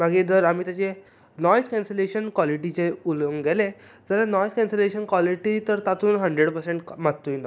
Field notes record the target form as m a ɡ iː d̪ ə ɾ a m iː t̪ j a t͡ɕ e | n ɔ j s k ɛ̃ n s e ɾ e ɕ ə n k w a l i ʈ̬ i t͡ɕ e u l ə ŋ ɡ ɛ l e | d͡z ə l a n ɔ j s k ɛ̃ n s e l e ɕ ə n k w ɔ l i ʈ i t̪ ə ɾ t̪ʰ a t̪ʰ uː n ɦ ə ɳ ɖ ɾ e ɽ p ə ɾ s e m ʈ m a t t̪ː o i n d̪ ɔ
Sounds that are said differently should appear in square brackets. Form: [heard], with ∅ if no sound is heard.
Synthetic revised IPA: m a ɡ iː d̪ ə ɾ a m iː t̪ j a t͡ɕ e | n ɔ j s k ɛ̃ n s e [l] e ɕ ə n k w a l i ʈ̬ i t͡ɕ e u l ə ŋ ɡ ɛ l e | d͡z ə l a n ɔ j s k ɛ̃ n s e l e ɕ ə n k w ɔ l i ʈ i t̪ ə ɾ [t̪] a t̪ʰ uː n ɦ ə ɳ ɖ ɾ e ɽ p ə ɾ s e [ɳ] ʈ m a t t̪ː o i n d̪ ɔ